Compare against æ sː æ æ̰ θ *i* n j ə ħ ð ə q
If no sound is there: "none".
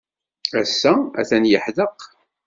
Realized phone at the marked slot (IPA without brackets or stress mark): æ